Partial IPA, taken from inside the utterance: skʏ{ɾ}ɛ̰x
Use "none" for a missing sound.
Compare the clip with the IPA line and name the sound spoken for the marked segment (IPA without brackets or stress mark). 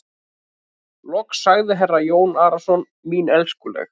l